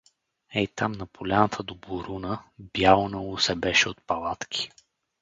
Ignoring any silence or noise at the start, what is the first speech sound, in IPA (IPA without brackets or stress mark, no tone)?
ɛ